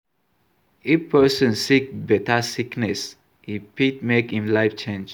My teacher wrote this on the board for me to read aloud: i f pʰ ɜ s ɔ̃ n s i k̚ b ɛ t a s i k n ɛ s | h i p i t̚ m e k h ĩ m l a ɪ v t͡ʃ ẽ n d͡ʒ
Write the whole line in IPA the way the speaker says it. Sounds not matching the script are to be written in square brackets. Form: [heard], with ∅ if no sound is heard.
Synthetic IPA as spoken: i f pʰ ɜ s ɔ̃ n s i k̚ b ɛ t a s i k n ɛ s | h i p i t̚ m e k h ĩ m l a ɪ [f] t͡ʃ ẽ n d͡ʒ

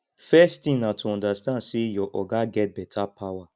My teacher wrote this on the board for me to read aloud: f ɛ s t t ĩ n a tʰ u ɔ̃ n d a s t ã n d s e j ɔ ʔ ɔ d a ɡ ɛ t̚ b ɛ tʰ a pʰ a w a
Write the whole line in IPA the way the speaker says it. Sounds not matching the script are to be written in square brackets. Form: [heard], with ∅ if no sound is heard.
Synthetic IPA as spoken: f ɛ s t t ĩ n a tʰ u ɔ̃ n d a s t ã n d s e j ɔ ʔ ɔ [ɡ] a ɡ ɛ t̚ b ɛ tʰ a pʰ a w a

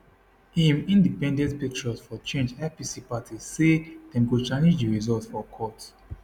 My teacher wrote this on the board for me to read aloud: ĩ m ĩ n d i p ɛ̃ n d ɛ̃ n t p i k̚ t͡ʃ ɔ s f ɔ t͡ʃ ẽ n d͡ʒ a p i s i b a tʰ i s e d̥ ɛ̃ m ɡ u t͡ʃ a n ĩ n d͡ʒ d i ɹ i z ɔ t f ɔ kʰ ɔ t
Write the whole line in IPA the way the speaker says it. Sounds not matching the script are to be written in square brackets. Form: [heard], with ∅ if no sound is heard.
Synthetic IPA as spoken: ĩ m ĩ n d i p ɛ̃ n d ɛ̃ n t p i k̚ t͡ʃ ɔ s f ɔ t͡ʃ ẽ n d͡ʒ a p i s i [p] a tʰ i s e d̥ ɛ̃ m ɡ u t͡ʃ a n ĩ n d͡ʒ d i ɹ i z ɔ t f ɔ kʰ ɔ t

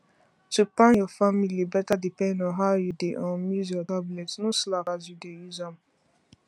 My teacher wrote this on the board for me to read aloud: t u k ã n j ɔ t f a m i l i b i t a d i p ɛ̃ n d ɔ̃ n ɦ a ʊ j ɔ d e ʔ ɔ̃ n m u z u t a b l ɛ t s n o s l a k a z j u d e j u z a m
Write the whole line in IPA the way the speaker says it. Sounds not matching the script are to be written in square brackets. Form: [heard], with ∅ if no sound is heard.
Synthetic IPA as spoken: t u [p] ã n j ɔ [∅] f a m i l i b [ɛ] t a d i p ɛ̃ n d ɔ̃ n ɦ a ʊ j [u] d e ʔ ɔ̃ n m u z [ɔ] t a b l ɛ t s n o s l a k a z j u d e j u z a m

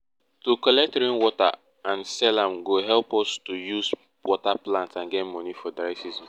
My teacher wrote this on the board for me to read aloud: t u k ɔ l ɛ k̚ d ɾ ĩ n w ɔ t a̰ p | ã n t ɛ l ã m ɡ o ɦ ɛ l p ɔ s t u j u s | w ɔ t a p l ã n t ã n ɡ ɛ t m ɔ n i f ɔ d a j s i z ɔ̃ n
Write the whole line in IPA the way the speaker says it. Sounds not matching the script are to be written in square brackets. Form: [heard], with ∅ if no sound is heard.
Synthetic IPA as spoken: t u k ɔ l ɛ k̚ [t] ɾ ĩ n w ɔ t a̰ [∅] | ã n [s] ɛ l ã m ɡ o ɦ ɛ l p ɔ s t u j u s | w ɔ t a p l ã n t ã n ɡ ɛ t m ɔ n i f ɔ d a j s i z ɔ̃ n

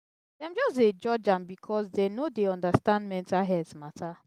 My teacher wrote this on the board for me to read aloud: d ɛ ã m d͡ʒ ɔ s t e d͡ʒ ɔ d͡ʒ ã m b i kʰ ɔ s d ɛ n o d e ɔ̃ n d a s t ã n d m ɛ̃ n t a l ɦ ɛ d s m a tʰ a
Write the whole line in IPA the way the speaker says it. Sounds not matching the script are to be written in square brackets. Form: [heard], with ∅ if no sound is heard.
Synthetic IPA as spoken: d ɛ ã m d͡ʒ ɔ s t e d͡ʒ ɔ d͡ʒ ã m b i kʰ ɔ s d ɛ n o d e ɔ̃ n d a s t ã n d m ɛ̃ n t a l ɦ ɛ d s m a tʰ a

